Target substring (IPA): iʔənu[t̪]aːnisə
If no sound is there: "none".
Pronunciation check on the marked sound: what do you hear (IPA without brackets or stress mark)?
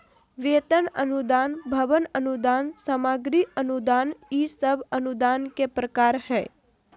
d̪